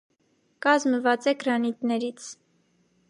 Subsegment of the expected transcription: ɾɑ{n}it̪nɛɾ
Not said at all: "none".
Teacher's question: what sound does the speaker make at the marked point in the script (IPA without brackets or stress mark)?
n